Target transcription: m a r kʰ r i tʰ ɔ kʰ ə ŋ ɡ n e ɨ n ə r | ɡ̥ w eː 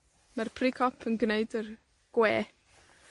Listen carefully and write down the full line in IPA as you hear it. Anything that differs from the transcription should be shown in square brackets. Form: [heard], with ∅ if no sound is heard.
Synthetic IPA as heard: m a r [pʰ] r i [kʰ] ɔ [pʰ] ə [n] ɡ n e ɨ [d] ə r | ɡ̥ w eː